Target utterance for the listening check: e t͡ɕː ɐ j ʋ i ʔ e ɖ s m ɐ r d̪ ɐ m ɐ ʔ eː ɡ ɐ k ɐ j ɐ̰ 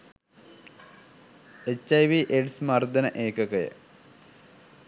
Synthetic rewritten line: e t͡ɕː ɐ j ʋ i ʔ e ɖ s m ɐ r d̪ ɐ n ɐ ʔ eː k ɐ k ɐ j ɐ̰